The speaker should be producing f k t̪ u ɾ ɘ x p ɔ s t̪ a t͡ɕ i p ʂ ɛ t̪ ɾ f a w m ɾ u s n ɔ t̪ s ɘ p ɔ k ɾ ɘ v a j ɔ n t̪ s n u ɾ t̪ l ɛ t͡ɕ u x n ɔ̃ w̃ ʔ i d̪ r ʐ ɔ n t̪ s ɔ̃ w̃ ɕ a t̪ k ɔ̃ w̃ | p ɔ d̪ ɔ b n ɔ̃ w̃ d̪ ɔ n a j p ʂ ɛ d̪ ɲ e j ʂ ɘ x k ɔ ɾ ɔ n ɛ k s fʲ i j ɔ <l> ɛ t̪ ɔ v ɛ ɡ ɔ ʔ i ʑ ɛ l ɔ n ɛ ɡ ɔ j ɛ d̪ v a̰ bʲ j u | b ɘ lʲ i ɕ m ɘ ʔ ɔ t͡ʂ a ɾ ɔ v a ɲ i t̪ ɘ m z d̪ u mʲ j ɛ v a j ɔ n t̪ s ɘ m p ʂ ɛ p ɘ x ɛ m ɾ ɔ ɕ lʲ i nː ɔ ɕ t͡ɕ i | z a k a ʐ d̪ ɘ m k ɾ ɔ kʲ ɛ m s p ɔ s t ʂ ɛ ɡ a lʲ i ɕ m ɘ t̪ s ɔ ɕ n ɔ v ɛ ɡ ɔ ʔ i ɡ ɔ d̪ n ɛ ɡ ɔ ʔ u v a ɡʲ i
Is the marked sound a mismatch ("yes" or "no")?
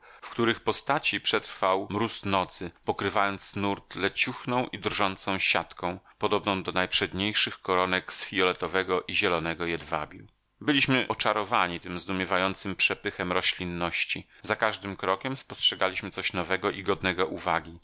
no